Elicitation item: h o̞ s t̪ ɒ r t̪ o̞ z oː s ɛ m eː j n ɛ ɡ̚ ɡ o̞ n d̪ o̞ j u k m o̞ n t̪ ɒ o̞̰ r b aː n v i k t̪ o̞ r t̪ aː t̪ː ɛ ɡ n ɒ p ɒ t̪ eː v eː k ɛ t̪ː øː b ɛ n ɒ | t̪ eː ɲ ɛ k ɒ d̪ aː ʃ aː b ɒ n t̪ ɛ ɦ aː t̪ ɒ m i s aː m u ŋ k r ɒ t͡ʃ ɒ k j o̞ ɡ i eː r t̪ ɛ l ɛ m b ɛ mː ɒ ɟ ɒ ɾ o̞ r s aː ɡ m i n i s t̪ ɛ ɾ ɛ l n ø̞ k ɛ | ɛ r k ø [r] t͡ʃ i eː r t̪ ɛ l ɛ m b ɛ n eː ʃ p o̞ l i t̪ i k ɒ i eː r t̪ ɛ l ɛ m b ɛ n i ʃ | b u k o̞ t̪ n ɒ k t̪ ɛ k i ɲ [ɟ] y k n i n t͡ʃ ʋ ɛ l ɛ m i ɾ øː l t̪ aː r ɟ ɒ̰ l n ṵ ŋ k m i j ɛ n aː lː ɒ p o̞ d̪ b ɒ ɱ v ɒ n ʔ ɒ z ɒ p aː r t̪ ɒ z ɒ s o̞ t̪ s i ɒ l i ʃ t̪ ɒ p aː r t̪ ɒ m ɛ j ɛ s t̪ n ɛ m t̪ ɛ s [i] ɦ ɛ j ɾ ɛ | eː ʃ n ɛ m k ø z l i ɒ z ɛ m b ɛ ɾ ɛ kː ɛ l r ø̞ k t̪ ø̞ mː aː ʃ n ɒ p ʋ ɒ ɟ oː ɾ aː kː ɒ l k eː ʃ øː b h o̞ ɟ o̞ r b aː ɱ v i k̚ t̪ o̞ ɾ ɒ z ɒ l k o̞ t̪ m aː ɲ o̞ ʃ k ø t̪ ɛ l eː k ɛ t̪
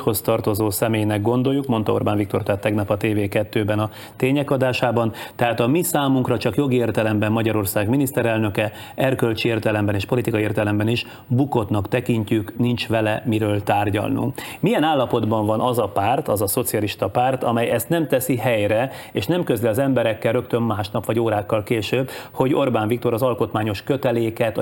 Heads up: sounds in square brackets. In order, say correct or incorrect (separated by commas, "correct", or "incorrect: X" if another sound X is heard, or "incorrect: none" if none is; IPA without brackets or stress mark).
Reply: incorrect: l, incorrect: c, correct